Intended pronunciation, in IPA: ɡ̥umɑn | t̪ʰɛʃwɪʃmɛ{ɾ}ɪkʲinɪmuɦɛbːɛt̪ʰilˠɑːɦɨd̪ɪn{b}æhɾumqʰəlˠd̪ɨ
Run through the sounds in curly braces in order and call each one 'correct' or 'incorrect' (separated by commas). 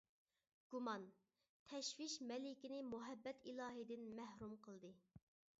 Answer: incorrect, incorrect